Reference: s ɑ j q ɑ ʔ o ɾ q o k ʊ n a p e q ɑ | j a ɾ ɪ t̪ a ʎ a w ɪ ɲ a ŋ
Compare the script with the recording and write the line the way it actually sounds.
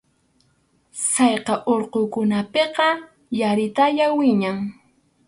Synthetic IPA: s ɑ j q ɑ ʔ o ɾ q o k ʊ n a p e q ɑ | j a ɾ ɪ t̪ a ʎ a w ɪ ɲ a ŋ